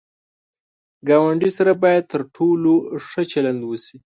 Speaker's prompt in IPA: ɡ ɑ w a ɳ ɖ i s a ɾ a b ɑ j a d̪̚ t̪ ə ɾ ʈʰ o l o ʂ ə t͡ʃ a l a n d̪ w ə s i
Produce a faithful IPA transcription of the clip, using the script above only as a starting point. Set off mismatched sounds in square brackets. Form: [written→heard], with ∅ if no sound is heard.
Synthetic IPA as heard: ɡ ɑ w a ɳ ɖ i s a ɾ a b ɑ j a d̪̚ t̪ ə ɾ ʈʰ o l o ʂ ə t͡ʃ a l a n d̪ w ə s i

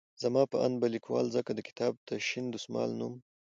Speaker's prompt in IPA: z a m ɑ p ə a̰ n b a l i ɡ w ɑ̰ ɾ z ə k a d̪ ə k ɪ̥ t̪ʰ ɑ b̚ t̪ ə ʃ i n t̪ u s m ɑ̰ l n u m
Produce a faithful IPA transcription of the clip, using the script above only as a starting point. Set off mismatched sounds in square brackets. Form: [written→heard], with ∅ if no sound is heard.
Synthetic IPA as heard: z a m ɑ p ə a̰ n b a l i [ɡ→k] w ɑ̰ [ɾ→l] z ə k a d̪ ə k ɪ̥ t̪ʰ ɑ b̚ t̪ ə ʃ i n [t̪→d̪] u s m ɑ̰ l n u m

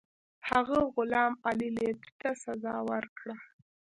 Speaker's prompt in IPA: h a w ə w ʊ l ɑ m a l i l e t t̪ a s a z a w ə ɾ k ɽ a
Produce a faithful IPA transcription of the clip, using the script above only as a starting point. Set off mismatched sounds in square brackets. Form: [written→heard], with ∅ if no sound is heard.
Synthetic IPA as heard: h a [w→ɣ] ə [w→ɣ] ʊ l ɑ m a l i l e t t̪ a s a z [a→ɑ] w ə ɾ k ɽ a

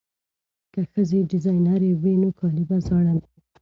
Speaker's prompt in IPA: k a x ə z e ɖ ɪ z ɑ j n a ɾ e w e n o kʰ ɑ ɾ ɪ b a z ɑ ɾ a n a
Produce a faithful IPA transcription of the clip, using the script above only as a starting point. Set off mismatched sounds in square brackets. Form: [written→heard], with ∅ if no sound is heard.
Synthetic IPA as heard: k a x ə z e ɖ ɪ z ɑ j n a ɾ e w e n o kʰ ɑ [ɾ→l] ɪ b a z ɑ [ɾ→ɽ] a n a

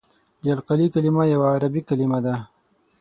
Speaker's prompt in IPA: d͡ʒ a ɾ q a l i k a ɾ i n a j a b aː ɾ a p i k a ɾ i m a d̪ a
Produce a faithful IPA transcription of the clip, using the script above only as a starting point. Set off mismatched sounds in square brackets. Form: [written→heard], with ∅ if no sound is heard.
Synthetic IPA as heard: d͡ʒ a [ɾ→l] q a l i k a [ɾ→l] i [n→m] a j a [b→w] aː ɾ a [p→b] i k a [ɾ→l] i m a d̪ a

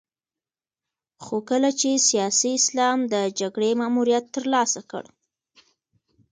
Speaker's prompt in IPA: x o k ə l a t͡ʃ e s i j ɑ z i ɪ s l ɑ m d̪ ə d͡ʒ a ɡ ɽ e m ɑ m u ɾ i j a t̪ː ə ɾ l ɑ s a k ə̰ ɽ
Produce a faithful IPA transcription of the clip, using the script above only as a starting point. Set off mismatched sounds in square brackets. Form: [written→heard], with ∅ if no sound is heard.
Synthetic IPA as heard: x o k ə l a t͡ʃ e s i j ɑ [z→s] i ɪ s l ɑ m d̪ ə d͡ʒ a ɡ ɽ e m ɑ m u ɾ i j a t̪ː ə ɾ l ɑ s a k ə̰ ɽ

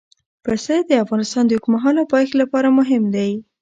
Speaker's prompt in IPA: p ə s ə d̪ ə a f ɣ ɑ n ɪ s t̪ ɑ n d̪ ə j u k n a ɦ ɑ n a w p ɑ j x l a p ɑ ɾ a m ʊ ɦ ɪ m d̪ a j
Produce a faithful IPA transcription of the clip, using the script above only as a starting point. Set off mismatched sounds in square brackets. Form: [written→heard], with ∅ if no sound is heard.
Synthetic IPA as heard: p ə s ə d̪ ə a f ɣ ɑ n ɪ s t̪ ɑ n d̪ ə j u k [n→m] a ɦ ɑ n a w p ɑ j x l a p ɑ ɾ a m ʊ ɦ ɪ m d̪ a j

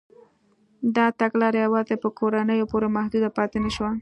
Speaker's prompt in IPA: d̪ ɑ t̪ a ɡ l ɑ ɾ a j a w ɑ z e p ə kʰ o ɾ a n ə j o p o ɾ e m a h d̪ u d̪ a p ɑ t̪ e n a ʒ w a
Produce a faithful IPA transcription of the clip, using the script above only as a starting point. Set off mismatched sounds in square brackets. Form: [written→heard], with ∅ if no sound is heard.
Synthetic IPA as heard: d̪ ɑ t̪ a ɡ l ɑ ɾ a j a w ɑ z e p ə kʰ o ɾ a n ə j o p o ɾ e m a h d̪ u d̪ a p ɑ t̪ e n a [ʒ→ʃ] w a

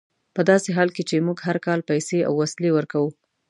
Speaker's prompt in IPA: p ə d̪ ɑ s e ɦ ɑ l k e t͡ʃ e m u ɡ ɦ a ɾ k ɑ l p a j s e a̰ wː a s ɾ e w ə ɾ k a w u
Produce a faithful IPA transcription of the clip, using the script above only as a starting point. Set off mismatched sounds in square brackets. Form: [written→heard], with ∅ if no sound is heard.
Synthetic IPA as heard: p ə d̪ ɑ s e ɦ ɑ l k e t͡ʃ e m u ɡ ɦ a ɾ k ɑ l p a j s e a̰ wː a s [ɾ→l] e w ə ɾ k a w u

